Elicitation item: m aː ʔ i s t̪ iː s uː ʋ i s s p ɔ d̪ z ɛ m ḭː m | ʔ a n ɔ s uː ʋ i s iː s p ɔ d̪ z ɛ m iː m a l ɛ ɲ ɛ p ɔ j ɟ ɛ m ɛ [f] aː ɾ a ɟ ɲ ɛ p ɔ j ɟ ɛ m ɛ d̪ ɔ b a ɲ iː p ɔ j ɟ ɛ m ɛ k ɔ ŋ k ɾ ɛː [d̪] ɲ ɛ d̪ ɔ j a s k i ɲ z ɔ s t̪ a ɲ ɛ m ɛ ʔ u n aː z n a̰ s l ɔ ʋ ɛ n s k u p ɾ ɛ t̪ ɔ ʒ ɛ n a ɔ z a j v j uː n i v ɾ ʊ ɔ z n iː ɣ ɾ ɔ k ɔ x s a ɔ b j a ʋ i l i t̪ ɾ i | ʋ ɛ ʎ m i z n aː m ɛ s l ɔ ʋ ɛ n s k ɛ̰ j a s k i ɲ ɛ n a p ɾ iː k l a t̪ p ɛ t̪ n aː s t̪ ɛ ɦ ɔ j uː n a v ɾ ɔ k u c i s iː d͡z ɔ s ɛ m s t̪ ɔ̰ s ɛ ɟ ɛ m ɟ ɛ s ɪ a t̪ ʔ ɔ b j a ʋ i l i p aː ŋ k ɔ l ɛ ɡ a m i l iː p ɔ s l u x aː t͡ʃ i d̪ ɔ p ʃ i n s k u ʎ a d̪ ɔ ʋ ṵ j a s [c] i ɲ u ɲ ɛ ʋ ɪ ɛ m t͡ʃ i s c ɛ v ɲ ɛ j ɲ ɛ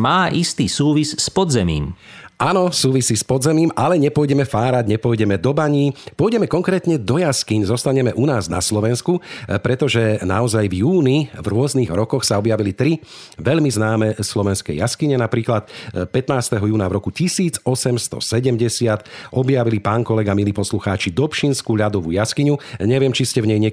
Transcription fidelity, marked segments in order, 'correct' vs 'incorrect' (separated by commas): correct, incorrect, incorrect